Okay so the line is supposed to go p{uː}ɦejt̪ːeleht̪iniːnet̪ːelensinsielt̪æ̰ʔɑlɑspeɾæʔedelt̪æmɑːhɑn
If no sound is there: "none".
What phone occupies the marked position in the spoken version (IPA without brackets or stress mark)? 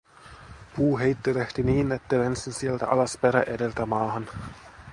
uː